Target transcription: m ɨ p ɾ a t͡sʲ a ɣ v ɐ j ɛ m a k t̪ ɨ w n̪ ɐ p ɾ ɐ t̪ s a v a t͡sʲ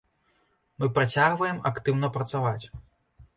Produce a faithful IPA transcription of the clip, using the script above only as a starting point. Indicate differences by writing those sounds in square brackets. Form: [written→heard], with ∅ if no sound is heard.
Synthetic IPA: m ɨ p ɾ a t͡sʲ a ɣ v ɐ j ɛ m a k t̪ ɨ w n̪ ɐ p ɾ ɐ t̪ s a v a t͡sʲ